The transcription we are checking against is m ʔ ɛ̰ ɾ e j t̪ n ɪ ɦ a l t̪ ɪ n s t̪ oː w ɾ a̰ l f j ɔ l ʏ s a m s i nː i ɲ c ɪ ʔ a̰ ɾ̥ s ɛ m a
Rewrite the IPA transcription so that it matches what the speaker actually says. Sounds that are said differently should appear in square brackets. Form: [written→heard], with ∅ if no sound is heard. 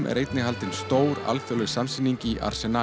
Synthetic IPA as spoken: m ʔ ɛ̰ ɾ e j t̪ n ɪ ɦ a l t̪ ɪ n s t̪ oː w ɾ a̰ l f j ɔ l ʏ s a m s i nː i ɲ c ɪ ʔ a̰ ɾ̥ s ɛ [m→n] a